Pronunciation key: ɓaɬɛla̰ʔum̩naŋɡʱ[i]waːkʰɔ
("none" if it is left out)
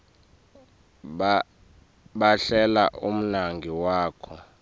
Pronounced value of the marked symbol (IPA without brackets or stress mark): i